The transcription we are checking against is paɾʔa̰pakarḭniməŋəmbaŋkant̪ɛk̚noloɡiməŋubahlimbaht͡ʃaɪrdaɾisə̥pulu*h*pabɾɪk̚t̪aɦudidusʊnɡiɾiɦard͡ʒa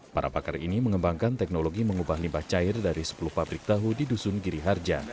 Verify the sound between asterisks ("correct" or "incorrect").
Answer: correct